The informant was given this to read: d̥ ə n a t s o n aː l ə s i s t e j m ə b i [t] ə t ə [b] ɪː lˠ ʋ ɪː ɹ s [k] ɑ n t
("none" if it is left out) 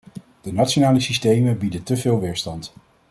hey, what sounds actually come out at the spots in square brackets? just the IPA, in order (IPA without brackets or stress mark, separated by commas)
d, v, t